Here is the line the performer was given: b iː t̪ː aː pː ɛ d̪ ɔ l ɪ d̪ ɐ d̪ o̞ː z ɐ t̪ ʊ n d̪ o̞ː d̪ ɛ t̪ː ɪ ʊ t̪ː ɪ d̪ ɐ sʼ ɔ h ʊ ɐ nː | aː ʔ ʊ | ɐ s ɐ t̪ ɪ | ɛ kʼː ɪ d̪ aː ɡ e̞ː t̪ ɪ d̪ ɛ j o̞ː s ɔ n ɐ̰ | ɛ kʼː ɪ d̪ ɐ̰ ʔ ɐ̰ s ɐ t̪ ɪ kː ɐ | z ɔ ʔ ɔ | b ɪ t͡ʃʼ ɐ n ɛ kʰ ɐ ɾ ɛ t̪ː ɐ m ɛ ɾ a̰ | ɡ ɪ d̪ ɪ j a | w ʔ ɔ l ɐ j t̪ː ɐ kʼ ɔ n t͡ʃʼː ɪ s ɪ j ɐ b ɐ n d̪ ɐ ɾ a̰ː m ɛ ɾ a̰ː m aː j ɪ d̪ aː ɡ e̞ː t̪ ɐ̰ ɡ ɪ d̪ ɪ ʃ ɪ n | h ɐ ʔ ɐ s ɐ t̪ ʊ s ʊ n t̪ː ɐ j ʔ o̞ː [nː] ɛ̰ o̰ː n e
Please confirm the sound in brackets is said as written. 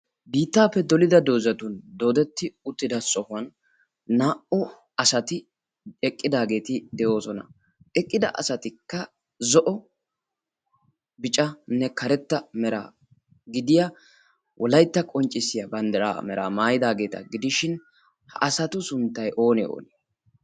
no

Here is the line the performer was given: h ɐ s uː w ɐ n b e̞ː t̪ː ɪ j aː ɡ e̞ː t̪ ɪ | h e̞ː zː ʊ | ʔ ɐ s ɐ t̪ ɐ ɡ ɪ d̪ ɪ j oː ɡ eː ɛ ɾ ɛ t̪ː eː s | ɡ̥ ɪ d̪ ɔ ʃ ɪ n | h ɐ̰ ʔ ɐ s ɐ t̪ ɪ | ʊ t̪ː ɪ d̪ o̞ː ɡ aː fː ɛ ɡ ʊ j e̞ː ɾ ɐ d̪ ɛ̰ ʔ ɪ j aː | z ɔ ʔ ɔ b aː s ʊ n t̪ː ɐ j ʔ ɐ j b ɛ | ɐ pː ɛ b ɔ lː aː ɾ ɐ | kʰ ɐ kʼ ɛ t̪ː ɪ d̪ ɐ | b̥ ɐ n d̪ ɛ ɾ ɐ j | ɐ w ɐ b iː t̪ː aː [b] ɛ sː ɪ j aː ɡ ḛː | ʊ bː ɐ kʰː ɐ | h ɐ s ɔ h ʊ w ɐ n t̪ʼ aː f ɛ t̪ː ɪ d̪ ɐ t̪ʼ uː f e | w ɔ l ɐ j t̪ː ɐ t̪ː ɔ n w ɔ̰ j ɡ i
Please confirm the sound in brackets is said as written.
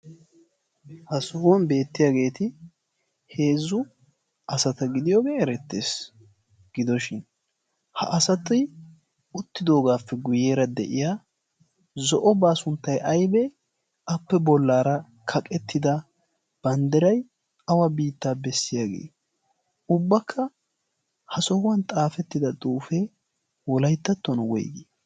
yes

